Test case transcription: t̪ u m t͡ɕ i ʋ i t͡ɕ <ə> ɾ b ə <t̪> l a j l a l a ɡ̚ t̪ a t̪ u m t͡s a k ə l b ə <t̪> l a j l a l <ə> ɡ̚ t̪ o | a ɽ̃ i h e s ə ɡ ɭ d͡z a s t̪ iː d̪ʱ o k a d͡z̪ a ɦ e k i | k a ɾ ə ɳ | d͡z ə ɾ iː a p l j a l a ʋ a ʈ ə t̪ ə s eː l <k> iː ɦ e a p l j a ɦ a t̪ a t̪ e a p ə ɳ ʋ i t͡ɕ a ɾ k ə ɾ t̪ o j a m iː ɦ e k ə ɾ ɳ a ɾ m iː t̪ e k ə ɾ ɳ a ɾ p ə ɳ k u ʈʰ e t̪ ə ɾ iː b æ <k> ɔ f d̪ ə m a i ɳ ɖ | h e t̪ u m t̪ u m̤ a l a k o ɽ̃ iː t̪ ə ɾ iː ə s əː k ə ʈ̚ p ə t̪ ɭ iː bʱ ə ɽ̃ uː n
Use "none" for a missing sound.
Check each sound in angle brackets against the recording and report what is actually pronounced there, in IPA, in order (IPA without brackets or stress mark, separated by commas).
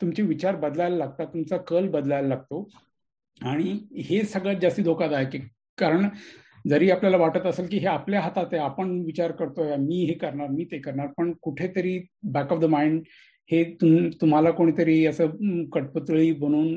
a, d̪, d̪, a, k, k